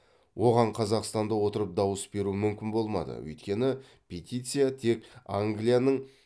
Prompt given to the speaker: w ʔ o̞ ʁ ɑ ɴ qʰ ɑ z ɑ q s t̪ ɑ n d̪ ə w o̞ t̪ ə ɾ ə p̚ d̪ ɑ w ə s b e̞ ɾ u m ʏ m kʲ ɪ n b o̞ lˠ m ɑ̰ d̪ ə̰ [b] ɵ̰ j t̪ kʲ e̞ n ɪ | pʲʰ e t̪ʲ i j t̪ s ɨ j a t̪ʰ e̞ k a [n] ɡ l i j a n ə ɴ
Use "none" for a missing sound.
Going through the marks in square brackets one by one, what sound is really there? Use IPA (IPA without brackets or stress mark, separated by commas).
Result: w, ŋ